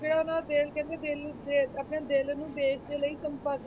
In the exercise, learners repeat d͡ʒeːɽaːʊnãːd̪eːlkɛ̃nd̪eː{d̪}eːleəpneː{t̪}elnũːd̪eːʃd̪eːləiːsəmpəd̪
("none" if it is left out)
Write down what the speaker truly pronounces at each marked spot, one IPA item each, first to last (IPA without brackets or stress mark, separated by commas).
d̪, d̪